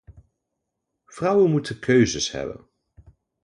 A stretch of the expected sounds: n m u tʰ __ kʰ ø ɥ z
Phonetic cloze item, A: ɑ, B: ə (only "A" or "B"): B